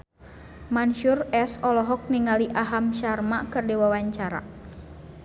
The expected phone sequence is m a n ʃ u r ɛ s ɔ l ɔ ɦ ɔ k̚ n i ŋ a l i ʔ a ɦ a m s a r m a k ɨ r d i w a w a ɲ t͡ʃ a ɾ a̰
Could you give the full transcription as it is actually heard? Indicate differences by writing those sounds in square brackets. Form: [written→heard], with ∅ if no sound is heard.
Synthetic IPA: m a n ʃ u r ɛ s ɔ l ɔ ɦ ɔ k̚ n i ŋ a l i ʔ a ɦ a m [s→ʃ] a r m a k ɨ r d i w a w a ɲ t͡ʃ a ɾ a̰